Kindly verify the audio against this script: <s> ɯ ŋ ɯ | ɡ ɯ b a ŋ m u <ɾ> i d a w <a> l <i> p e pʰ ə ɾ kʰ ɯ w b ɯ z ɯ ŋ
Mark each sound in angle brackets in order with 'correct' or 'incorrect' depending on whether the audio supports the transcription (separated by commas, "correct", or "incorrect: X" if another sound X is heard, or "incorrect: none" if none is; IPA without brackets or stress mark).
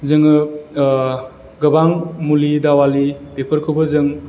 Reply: incorrect: z, incorrect: l, correct, correct